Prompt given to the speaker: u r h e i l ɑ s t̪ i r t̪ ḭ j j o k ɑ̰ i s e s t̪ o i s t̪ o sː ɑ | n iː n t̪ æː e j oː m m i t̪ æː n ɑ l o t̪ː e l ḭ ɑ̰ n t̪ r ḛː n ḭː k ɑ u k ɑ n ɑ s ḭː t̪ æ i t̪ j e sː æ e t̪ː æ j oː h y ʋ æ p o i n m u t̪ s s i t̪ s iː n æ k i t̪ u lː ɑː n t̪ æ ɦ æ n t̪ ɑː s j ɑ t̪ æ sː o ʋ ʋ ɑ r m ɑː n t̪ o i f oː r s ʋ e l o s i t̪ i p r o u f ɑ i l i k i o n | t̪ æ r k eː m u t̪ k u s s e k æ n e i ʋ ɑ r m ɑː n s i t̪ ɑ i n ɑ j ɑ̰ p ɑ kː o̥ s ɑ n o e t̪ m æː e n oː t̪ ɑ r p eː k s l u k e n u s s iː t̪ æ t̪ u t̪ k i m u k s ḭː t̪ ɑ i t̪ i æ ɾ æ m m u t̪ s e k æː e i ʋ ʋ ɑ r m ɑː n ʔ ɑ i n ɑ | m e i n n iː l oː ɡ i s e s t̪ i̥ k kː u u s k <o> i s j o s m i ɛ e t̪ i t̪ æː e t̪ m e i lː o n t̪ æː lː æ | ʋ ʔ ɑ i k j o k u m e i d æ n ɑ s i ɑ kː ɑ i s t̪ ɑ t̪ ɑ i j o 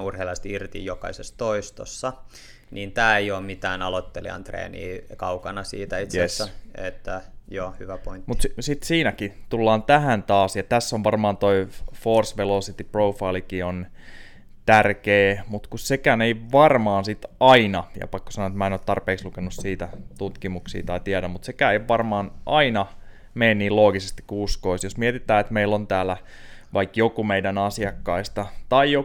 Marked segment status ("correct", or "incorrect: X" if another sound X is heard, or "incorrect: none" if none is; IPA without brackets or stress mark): correct